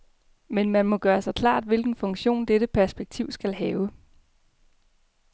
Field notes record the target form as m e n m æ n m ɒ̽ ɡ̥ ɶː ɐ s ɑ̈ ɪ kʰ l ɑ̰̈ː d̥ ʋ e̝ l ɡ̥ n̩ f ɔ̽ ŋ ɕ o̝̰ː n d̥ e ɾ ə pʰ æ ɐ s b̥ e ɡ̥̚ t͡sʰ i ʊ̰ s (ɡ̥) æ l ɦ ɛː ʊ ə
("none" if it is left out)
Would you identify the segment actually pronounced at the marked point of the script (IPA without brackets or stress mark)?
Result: ɡ̥